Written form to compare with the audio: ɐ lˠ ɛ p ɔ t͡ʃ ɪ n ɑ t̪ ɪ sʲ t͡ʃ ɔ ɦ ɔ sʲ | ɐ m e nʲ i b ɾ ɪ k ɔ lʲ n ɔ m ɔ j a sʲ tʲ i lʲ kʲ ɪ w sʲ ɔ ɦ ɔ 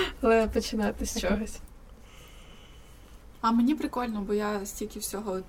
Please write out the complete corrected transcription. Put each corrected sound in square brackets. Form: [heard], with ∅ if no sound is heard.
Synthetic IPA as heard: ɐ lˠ ɛ p ɔ t͡ʃ ɪ n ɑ t̪ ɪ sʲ t͡ʃ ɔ ɦ ɔ sʲ | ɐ m e nʲ i [p] ɾ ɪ k ɔ lʲ n ɔ [b] ɔ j a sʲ tʲ i lʲ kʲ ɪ w sʲ ɔ ɦ ɔ